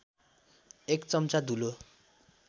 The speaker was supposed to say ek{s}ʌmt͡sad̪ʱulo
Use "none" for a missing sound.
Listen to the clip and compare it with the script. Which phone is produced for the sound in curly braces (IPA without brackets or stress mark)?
t͡s